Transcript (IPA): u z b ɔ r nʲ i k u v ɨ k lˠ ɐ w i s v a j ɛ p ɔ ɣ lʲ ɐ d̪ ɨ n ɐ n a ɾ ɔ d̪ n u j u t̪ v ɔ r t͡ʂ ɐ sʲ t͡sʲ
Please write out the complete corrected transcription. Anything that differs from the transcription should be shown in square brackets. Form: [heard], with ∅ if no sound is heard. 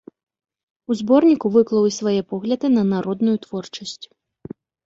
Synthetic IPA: u z b ɔ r nʲ i k u v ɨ k lˠ ɐ w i s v a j ɛ p ɔ ɣ lʲ ɐ d̪ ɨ n ɐ n a ɾ ɔ d̪ n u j u t̪ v ɔ r t͡ʂ ɐ sʲ t͡sʲ